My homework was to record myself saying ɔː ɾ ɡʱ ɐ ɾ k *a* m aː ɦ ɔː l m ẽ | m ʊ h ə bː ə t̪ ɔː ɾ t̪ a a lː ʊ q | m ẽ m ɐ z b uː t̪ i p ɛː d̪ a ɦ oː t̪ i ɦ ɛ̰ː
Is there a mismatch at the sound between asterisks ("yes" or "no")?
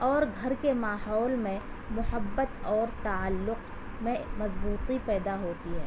yes